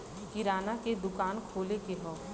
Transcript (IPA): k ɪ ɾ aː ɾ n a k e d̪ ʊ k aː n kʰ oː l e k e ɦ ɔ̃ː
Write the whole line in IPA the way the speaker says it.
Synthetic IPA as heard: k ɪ ɾ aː n a k e d̪ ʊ k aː n kʰ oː l e k e ɦ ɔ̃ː